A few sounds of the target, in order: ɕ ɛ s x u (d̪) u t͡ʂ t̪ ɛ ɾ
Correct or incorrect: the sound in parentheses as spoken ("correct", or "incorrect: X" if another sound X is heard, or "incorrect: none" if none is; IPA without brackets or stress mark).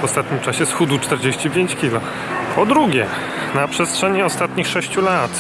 correct